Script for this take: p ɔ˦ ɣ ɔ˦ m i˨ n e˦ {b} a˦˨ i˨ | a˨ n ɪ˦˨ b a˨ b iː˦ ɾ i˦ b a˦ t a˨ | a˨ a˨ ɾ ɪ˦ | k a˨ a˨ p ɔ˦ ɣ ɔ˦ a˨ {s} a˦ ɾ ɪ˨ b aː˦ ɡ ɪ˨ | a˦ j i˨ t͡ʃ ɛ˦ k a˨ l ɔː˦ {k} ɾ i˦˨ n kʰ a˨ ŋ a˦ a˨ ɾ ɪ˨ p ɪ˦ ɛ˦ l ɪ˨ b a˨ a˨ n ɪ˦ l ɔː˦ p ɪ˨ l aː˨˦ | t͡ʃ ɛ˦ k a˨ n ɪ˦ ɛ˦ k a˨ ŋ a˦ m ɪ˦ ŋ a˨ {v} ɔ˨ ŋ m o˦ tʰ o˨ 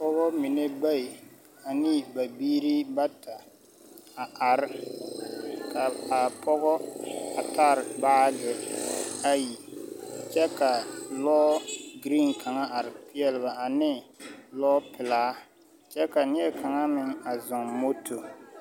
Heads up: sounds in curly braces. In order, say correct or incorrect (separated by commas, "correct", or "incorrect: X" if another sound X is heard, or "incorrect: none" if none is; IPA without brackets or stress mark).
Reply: correct, incorrect: t, incorrect: ɡ, incorrect: z